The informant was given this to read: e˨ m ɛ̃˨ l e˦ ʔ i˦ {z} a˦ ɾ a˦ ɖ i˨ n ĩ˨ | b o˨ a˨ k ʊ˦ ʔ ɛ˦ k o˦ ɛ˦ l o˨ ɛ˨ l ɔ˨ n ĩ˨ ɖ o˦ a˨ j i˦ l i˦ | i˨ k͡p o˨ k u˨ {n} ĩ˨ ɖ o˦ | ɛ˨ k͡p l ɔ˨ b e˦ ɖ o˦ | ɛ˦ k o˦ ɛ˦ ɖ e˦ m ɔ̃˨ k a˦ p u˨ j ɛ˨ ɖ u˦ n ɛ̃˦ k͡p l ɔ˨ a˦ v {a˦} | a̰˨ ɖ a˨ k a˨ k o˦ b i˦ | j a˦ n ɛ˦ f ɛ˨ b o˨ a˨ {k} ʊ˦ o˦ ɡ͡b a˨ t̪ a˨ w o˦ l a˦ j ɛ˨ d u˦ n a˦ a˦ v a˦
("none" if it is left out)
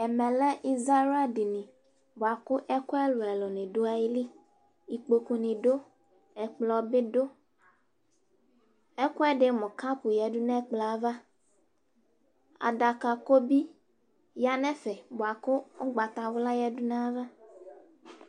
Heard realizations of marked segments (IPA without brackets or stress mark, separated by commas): z, n, a˦, k